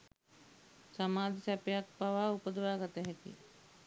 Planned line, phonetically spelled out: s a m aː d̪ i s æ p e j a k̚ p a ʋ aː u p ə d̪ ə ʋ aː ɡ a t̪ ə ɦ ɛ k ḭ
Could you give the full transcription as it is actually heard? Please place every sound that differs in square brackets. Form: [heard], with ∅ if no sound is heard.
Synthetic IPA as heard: s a m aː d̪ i s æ p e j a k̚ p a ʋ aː u p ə d̪ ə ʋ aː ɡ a t̪ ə ɦ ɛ k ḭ